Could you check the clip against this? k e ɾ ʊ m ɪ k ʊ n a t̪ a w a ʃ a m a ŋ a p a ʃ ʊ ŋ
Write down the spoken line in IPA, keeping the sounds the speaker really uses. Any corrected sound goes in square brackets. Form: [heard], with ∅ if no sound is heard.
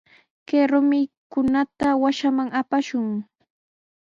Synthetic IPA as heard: k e ɾ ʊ m ɪ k ʊ n a t̪ a w a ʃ a m a ŋ a p a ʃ ʊ ŋ